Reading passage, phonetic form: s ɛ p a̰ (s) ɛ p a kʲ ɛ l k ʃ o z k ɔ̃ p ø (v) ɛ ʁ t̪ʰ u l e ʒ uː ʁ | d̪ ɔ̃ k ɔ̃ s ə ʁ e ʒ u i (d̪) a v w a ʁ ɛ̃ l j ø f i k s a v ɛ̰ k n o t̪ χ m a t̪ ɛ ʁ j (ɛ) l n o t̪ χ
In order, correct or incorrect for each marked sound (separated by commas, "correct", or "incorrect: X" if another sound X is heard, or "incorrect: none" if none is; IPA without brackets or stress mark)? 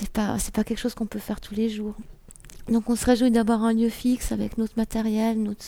correct, incorrect: f, correct, correct